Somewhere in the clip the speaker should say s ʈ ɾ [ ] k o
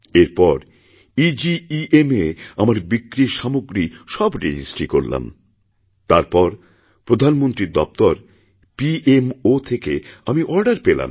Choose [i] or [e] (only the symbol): i